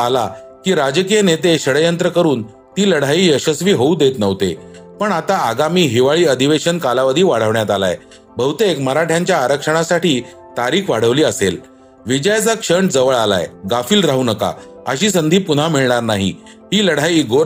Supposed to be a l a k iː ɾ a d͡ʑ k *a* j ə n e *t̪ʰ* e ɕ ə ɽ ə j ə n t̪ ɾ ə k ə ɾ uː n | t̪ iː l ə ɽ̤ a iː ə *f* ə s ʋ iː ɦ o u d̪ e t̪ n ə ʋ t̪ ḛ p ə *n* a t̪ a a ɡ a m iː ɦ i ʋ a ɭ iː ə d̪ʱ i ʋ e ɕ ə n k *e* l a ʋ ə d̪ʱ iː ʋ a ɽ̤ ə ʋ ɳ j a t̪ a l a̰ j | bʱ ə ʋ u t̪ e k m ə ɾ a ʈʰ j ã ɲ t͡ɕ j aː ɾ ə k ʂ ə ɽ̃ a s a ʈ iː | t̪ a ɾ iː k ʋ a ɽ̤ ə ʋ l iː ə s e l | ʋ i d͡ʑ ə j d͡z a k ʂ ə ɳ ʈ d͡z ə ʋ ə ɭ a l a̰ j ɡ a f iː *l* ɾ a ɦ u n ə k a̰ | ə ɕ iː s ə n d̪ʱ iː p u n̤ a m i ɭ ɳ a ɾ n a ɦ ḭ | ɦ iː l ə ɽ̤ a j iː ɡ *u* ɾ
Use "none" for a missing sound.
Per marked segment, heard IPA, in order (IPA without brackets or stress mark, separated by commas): i, t̪, ɕ, ɳ, a, l, o